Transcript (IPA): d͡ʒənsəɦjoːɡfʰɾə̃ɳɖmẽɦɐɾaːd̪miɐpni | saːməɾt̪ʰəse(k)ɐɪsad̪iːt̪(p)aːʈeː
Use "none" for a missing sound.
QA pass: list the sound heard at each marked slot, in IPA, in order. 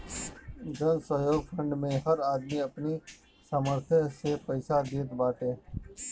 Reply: p, b

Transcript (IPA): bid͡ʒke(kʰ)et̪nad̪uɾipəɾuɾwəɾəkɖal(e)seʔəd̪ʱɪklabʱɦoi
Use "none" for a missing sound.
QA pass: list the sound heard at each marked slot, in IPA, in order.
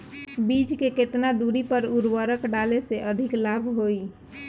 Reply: k, e

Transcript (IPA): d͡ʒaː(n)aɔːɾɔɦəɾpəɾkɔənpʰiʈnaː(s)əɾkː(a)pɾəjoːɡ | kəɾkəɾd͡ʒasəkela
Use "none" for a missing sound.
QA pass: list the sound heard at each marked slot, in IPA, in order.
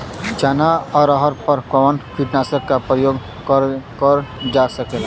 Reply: n, s, a

